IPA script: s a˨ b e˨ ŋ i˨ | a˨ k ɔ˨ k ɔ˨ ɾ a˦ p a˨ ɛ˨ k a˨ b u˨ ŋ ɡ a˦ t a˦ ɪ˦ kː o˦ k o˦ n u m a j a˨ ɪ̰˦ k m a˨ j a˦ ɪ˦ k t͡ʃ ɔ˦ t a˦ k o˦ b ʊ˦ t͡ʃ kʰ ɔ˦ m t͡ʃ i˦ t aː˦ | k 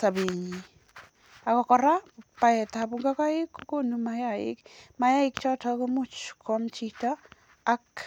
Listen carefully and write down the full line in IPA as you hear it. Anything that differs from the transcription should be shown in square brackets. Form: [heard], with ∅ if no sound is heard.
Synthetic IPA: s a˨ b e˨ [ɲ] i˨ | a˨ k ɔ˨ k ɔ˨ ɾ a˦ p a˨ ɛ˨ [t] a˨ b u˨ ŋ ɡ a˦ [k] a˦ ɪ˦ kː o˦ k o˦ n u m a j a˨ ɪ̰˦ k m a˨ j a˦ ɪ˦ k t͡ʃ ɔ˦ t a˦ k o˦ [m] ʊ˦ t͡ʃ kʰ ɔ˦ m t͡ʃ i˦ t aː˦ | k